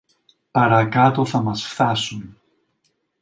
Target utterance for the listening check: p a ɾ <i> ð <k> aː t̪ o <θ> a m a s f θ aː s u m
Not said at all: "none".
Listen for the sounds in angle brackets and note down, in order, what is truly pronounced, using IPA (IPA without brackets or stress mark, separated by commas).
a, k, θ